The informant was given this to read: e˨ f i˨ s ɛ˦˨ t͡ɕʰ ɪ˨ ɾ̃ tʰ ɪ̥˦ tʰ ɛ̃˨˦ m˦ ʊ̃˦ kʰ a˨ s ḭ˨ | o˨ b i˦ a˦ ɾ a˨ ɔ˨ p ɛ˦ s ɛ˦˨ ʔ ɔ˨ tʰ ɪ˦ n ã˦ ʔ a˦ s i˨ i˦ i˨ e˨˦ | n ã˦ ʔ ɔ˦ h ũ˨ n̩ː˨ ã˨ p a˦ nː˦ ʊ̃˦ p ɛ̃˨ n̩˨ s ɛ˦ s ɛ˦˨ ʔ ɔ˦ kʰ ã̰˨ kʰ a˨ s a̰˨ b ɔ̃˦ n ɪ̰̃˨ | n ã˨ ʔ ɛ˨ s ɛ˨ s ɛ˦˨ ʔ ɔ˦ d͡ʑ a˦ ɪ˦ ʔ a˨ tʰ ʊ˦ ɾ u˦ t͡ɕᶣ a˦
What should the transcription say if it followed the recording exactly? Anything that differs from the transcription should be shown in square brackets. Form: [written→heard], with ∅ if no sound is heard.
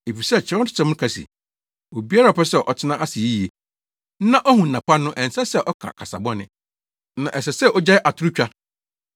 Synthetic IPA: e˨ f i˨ s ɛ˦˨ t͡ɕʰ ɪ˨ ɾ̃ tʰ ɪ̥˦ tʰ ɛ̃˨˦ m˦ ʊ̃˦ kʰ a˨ s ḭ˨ | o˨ b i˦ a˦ ɾ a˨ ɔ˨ p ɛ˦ s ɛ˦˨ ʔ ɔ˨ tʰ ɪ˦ n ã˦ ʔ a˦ s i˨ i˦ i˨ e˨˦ | n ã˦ ʔ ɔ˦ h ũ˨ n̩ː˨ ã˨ p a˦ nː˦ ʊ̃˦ [p→ʔ] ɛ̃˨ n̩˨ s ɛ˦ s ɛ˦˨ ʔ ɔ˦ kʰ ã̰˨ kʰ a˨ s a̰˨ b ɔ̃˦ n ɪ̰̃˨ | n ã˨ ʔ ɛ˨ s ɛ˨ s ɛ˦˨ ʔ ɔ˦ d͡ʑ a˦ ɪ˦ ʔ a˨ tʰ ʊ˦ ɾ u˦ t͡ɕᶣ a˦